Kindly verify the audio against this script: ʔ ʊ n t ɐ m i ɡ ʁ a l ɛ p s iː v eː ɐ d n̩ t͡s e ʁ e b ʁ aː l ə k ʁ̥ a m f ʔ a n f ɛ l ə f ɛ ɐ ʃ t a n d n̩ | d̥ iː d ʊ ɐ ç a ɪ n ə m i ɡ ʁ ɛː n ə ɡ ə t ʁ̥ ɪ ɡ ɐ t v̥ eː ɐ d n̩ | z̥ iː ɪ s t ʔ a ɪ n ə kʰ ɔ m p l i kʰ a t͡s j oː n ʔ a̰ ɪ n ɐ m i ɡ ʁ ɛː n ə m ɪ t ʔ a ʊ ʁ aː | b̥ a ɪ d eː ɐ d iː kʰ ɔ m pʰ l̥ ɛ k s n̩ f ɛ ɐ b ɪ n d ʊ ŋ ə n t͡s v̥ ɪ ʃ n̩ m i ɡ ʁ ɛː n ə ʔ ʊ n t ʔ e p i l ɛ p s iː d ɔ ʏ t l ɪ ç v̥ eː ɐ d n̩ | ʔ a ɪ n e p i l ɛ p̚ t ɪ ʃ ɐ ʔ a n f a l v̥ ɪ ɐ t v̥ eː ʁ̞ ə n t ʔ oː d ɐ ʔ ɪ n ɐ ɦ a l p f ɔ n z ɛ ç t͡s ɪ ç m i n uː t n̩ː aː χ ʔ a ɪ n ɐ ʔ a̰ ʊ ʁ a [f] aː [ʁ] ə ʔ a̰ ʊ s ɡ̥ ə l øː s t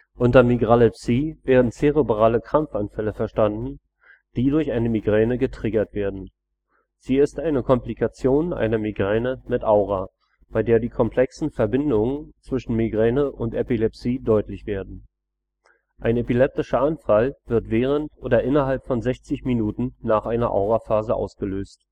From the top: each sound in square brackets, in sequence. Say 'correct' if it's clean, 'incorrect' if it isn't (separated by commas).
correct, incorrect